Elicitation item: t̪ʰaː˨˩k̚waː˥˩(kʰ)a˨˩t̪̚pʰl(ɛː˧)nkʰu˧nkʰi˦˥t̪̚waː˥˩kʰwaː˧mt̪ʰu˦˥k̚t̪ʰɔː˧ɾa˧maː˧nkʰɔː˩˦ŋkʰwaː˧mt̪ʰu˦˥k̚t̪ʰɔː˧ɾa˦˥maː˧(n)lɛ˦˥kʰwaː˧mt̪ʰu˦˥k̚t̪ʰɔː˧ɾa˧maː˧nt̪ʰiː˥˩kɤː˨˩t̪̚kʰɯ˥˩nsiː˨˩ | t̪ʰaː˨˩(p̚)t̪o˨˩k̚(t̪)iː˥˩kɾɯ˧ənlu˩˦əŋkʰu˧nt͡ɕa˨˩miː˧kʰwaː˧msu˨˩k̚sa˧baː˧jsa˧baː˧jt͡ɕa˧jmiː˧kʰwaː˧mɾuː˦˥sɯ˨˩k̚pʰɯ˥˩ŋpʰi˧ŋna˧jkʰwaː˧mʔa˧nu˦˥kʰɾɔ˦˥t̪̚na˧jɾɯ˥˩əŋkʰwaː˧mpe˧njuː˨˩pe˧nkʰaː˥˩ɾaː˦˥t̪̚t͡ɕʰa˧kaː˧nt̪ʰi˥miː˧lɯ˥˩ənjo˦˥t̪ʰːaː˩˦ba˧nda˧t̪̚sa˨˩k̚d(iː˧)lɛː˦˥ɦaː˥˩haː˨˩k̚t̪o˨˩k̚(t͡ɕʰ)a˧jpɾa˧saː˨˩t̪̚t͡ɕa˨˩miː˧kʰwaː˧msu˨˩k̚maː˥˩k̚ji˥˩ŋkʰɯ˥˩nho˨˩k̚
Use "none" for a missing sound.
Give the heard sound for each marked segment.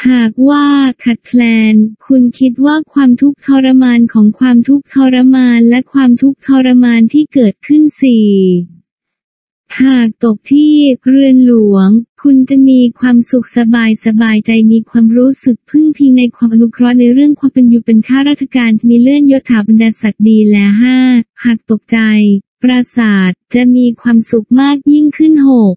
kʰ, ɛː˧, n, k̚, t̪ʰ, iː˧, t͡ɕ

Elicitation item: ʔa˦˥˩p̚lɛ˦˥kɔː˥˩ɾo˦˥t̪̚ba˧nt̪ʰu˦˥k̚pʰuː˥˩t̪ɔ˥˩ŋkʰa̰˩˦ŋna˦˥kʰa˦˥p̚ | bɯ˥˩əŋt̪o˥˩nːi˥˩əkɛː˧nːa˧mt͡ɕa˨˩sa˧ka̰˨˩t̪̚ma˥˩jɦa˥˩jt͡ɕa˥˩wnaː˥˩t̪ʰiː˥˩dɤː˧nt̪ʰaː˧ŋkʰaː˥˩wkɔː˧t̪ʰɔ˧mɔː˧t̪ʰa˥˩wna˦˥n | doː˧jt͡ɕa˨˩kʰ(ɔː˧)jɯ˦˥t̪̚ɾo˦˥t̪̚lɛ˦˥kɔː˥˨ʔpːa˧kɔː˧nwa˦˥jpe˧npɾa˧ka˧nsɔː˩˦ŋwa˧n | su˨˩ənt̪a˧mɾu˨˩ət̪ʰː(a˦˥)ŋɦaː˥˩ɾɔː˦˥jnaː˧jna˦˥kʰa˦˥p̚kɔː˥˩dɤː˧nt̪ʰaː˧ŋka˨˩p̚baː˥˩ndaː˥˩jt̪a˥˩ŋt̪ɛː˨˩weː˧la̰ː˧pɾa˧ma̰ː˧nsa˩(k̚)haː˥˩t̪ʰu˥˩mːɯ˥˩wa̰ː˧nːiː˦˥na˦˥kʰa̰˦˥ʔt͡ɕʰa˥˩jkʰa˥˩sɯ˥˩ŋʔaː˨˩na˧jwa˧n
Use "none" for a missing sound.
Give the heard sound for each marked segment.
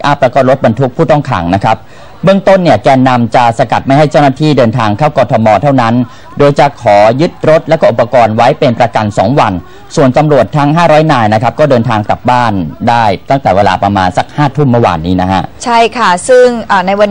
ɔː˩˦, a˦˥, k̚

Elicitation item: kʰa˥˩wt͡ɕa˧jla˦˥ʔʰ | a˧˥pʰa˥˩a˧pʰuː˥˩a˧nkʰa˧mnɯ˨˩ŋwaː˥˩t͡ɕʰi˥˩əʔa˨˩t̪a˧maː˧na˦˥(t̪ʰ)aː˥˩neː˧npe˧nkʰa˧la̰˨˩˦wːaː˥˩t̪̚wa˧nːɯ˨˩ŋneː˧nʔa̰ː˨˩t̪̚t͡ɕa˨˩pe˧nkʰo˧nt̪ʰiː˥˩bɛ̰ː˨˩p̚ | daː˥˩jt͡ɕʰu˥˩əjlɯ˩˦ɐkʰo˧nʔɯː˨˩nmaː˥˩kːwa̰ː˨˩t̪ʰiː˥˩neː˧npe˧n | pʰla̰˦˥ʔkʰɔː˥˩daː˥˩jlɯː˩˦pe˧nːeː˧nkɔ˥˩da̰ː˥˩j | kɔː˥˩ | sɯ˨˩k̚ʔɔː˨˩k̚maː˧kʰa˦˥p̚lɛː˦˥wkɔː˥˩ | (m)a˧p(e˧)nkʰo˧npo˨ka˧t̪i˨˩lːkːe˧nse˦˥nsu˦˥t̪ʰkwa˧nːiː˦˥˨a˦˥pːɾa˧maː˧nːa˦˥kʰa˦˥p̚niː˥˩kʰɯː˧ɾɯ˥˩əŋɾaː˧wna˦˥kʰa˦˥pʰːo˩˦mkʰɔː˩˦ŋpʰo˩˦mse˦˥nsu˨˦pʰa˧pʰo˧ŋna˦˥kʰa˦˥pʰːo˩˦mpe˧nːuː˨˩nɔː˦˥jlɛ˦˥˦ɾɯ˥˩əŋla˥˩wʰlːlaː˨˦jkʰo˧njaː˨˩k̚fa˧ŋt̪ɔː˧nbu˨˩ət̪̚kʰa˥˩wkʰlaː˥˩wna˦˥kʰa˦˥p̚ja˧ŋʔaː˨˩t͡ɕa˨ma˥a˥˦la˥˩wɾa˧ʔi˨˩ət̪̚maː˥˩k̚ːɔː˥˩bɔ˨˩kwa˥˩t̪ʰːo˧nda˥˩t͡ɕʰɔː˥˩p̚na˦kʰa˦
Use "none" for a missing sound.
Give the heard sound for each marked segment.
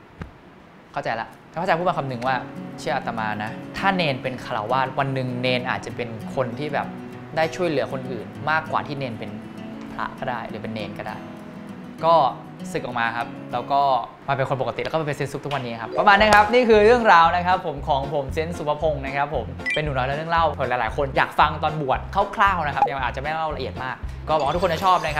t̪ʰ, m, e˧

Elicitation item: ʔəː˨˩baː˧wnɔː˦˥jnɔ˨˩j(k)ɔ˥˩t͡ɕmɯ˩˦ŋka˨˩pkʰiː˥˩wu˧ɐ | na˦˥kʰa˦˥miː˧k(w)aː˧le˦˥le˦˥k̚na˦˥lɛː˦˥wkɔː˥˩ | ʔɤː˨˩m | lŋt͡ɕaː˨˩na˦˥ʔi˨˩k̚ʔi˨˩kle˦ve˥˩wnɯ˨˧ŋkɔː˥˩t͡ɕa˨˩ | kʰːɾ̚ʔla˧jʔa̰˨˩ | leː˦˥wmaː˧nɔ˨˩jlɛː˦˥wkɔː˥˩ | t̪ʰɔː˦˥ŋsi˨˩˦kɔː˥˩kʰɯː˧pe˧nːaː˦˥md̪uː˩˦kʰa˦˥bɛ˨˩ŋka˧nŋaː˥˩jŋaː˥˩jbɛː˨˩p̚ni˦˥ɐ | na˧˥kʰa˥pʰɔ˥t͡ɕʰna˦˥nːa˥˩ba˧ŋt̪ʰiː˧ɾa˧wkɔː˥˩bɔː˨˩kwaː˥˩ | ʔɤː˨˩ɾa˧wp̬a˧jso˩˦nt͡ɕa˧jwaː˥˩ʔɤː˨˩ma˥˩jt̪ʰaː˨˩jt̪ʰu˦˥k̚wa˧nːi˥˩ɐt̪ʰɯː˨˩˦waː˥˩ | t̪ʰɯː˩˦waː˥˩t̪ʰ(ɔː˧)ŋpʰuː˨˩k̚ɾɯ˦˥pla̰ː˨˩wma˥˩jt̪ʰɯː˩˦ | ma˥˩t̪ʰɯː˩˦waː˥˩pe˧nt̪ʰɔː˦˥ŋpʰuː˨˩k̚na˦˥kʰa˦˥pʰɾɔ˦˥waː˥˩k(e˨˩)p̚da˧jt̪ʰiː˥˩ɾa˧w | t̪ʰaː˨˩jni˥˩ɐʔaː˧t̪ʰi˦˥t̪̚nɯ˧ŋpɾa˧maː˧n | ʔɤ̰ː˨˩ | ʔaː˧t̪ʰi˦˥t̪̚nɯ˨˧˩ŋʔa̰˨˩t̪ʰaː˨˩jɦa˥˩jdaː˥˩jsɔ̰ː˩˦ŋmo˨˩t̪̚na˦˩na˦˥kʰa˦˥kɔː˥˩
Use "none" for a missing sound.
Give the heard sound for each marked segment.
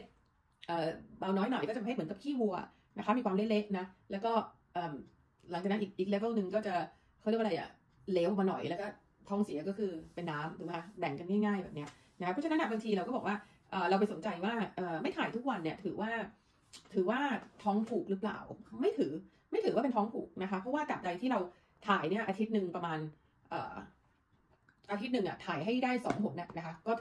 k, w, ɔː˦˥, a˨˩

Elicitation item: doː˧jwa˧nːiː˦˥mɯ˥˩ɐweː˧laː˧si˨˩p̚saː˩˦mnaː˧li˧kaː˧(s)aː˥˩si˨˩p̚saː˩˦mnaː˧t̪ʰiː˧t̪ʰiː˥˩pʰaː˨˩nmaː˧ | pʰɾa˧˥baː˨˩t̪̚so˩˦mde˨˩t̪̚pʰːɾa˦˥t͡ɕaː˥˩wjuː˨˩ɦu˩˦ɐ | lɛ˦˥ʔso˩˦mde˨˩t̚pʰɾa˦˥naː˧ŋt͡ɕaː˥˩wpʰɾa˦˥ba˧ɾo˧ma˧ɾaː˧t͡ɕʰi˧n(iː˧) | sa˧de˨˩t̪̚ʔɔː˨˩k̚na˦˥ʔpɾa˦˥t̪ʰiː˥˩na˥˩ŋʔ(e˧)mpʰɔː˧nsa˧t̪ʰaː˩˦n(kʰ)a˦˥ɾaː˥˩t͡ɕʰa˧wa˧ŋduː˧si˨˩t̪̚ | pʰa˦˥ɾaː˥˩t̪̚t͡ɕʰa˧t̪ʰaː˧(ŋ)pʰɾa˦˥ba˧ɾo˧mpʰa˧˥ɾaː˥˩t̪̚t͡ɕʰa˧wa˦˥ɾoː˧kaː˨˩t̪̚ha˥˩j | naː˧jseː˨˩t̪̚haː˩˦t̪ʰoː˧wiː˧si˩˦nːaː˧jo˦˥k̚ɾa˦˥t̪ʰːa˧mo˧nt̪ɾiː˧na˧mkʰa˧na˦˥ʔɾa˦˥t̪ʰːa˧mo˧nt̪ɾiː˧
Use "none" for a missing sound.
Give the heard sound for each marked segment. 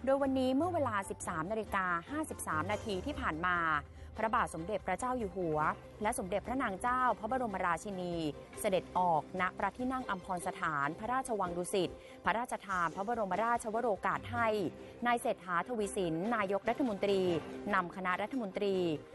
h, iː˧, a˧, pʰ, n

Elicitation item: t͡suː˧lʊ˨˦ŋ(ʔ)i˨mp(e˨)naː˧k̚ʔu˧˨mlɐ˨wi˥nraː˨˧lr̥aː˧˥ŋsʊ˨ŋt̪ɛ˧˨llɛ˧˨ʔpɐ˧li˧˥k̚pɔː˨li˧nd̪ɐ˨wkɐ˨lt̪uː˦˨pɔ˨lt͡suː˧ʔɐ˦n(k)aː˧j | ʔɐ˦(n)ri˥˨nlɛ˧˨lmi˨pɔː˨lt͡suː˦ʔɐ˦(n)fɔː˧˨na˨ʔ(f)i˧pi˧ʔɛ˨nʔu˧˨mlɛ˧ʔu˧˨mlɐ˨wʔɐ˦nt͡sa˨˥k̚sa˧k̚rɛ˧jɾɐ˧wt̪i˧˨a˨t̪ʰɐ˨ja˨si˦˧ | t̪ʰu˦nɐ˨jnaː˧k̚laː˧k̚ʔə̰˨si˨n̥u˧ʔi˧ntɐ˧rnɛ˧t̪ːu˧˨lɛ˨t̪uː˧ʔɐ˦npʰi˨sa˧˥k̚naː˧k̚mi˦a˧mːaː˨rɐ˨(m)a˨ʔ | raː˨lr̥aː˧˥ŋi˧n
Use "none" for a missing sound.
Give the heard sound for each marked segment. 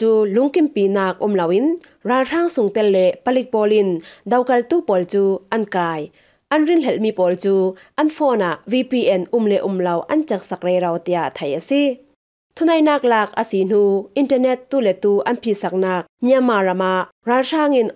k, i˨, k, n, n, v, m

